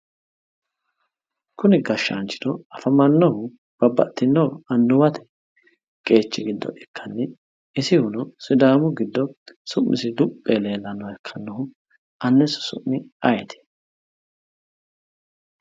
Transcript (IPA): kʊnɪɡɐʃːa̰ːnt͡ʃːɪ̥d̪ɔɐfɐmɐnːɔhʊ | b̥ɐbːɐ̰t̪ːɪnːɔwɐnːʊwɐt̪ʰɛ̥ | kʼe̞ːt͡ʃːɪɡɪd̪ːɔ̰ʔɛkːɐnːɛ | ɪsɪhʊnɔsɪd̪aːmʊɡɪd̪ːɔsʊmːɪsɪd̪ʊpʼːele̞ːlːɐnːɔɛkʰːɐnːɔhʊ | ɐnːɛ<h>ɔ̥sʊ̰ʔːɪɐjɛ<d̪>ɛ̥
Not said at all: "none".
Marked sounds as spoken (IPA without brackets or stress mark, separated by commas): s, t̪